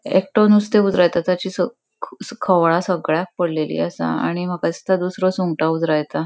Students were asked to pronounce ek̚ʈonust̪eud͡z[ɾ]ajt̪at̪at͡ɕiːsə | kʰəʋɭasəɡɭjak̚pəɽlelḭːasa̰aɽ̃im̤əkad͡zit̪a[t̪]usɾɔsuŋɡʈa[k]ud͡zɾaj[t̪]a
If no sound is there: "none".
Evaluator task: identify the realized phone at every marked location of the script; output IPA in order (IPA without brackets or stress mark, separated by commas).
ɾ, d̪, none, t̪